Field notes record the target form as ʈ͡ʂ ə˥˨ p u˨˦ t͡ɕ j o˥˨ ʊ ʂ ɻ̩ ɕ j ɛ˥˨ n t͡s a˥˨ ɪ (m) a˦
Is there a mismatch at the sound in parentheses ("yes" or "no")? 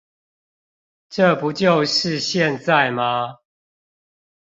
no